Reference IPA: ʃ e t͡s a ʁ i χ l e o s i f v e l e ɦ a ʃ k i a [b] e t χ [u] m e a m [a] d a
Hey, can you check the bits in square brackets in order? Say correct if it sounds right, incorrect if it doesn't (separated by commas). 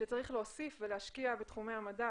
correct, correct, correct